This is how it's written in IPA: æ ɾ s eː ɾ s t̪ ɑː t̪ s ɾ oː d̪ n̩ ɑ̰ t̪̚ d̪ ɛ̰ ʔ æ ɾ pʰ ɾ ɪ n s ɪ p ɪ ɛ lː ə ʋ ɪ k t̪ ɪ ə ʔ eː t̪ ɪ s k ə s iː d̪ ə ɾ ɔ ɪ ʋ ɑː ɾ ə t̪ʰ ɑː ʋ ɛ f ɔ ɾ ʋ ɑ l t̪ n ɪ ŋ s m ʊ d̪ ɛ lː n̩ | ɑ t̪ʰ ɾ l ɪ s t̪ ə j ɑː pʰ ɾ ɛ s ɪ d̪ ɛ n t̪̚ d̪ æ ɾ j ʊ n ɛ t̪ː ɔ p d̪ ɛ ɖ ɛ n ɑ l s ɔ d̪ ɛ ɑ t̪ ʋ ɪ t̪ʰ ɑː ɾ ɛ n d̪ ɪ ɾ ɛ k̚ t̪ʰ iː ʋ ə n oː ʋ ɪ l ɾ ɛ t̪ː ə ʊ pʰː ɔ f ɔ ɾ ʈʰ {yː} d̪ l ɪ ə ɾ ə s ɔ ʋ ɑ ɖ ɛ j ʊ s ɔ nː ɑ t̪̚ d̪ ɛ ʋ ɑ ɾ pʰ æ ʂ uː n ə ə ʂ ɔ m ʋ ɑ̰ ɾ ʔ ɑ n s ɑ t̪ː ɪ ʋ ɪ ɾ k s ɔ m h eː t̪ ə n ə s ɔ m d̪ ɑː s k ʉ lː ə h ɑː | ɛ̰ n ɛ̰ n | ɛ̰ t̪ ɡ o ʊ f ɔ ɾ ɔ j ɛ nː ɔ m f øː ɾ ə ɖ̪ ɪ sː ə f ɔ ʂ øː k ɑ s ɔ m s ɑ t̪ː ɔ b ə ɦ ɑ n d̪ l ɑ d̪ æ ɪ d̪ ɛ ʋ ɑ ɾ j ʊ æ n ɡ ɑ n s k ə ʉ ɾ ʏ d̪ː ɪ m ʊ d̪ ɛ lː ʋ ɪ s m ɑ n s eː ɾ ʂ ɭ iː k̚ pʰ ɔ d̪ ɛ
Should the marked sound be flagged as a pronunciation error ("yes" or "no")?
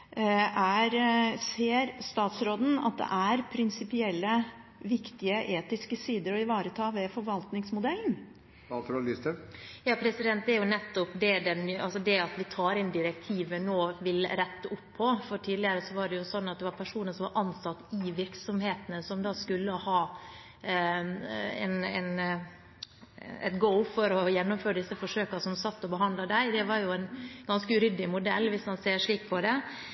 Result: yes